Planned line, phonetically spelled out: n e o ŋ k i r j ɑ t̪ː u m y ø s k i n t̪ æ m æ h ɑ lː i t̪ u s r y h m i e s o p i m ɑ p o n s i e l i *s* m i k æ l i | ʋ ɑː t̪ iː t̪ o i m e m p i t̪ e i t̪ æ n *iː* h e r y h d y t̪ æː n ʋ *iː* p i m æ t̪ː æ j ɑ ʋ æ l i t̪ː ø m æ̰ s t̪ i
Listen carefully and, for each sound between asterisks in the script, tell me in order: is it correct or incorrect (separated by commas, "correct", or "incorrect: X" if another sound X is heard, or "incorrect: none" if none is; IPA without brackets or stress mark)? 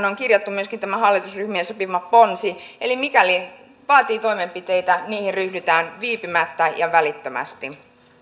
incorrect: none, correct, correct